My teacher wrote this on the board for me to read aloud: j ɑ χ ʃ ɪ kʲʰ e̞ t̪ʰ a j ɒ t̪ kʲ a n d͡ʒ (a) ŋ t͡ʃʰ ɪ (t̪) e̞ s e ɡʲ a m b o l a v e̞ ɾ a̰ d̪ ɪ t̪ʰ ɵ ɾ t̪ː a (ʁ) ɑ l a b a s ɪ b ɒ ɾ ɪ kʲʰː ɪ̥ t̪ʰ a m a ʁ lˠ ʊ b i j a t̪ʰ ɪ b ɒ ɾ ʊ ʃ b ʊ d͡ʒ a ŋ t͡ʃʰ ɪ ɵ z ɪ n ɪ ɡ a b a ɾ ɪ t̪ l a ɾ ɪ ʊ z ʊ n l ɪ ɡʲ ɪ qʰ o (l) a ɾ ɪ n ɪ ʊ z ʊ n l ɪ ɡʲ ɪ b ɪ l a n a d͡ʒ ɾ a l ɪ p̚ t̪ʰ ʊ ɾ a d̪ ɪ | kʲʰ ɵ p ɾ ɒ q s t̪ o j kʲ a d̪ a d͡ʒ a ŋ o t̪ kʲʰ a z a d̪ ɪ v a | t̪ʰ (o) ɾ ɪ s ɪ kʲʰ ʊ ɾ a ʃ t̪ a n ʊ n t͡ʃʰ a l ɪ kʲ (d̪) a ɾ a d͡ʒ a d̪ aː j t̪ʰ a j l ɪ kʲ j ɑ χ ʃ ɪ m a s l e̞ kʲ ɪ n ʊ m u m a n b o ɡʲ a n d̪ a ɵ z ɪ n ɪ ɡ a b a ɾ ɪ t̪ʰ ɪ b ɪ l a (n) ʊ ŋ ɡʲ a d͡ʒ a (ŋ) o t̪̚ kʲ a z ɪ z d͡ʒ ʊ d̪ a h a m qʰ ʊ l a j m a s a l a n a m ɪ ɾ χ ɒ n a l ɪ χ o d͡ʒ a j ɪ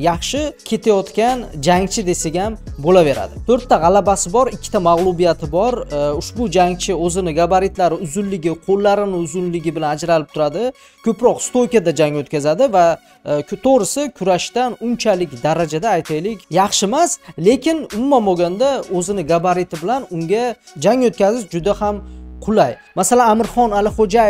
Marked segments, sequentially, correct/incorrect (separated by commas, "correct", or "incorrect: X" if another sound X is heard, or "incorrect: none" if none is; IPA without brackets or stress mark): correct, incorrect: d̪, correct, incorrect: lː, correct, correct, correct, correct